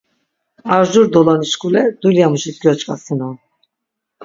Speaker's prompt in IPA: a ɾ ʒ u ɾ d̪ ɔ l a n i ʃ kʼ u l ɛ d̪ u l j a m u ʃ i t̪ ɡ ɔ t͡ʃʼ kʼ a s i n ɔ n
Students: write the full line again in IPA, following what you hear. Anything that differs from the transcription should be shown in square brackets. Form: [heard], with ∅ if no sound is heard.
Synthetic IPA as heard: a ɾ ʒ u ɾ d̪ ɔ l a n i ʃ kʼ u l ɛ d̪ u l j a m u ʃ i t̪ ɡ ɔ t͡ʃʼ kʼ a s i n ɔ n